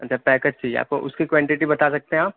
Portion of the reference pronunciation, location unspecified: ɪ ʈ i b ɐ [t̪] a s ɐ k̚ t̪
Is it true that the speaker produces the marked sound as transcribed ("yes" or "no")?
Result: yes